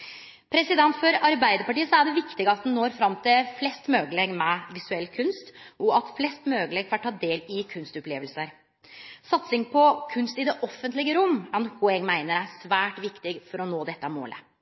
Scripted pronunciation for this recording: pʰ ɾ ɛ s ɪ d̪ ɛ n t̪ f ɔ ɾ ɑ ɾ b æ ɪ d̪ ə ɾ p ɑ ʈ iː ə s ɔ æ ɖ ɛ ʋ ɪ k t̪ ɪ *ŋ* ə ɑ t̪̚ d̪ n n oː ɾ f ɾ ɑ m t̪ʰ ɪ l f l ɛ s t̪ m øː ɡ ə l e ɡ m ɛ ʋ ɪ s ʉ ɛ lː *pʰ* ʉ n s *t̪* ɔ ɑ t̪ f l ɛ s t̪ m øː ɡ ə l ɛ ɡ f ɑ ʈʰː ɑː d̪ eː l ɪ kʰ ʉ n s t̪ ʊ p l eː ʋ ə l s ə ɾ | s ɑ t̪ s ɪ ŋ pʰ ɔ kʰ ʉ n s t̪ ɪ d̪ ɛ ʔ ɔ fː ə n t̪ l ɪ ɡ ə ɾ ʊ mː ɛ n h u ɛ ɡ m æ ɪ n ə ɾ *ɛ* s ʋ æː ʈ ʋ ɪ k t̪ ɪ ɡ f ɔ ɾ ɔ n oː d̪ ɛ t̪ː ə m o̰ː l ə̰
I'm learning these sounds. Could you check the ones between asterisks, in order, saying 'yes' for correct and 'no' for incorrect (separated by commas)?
no, no, yes, no